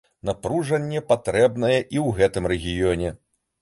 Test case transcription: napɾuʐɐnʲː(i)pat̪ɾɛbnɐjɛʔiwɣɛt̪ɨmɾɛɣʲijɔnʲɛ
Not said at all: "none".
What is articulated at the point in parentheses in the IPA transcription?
ɛ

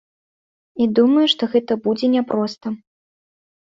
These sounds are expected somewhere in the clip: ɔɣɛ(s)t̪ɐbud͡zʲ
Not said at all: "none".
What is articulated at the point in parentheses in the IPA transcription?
none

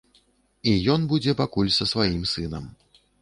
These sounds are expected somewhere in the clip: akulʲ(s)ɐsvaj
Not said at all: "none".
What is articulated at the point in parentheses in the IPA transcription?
s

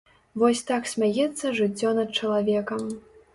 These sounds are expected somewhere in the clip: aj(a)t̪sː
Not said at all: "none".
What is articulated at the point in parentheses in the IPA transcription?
ɛ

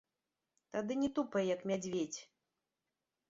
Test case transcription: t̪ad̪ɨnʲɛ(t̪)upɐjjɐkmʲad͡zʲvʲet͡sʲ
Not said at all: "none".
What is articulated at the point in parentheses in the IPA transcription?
t̪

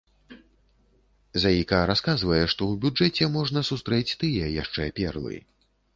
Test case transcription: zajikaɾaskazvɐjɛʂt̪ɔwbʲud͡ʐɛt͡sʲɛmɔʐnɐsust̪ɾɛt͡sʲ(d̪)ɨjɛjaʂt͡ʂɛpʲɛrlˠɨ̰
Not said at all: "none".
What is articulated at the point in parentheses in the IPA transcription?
t̪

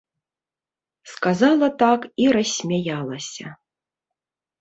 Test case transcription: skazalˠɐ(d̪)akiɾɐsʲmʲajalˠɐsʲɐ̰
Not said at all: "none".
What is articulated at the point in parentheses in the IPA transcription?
t̪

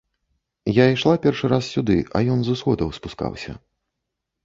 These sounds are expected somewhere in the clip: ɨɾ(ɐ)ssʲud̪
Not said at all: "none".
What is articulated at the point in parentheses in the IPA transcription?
a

